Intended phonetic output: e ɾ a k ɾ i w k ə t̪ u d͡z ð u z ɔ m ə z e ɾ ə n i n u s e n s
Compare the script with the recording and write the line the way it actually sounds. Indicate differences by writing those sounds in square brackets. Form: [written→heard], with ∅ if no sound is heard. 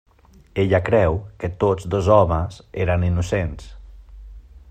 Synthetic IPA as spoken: e [ɾ→ʎ] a k ɾ [i→ɛ] w k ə t̪ [u→o] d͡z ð [u→o] z ɔ m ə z e ɾ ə n i n u s e n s